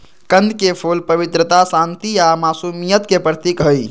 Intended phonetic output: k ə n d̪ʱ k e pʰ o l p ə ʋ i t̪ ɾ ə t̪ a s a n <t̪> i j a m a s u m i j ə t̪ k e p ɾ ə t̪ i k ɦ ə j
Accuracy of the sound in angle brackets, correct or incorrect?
correct